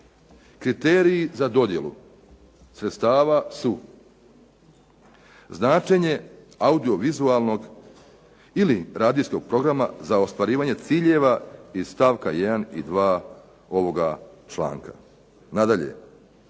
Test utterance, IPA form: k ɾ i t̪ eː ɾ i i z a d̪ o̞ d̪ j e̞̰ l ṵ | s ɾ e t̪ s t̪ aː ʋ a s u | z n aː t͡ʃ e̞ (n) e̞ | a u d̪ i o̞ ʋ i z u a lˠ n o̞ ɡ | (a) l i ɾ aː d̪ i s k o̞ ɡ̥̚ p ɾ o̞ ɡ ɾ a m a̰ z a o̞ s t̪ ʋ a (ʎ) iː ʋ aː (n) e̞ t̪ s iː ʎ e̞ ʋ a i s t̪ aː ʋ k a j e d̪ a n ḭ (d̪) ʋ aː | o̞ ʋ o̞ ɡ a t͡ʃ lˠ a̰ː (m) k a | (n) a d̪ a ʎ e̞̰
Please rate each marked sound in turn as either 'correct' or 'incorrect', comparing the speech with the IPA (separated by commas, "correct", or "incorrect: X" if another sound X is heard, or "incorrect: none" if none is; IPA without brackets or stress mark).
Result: incorrect: ɲ, incorrect: i, incorrect: ɾ, incorrect: ɲ, correct, incorrect: ŋ, correct